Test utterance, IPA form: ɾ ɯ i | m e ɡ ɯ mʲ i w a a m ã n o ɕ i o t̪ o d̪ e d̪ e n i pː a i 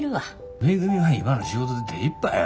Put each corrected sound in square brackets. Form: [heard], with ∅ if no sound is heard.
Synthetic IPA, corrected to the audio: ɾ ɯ [a] | m e ɡ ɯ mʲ i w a [i] m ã n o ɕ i o t̪ o d̪ e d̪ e [∅] i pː a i